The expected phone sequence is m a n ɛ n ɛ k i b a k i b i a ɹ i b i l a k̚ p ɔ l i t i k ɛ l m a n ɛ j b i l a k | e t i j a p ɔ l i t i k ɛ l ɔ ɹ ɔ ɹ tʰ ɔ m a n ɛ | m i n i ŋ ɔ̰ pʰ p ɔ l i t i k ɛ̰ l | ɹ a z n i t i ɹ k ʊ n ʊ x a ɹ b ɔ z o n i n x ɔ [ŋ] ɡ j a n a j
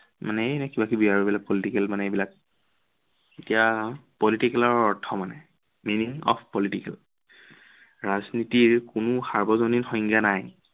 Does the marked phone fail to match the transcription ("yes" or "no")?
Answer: no